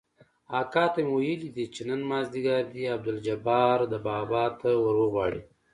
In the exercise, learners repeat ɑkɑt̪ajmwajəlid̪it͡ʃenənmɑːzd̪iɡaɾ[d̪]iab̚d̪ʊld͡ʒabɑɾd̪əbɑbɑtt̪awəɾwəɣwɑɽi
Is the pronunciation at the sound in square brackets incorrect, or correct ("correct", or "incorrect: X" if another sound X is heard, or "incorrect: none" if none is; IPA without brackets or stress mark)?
correct